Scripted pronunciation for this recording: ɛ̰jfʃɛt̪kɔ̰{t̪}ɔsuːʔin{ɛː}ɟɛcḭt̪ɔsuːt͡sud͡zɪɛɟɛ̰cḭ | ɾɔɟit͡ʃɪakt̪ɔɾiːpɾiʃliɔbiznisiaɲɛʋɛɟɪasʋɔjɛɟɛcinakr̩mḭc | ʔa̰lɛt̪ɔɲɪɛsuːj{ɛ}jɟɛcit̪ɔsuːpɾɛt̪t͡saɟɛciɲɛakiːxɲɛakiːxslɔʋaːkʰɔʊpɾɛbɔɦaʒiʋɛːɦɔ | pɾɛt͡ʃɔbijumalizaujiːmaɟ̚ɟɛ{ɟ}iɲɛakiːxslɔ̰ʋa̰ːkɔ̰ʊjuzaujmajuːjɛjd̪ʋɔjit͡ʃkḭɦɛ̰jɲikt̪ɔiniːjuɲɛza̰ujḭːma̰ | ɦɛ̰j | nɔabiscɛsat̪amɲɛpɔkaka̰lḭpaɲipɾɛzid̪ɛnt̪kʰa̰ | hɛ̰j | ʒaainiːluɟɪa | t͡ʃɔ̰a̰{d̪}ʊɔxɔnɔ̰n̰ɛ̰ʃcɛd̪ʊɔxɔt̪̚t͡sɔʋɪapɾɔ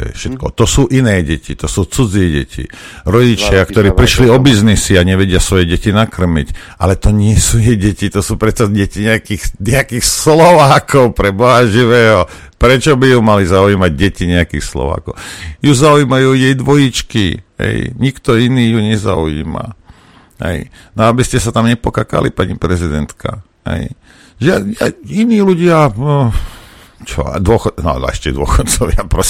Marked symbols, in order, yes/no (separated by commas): yes, yes, yes, no, yes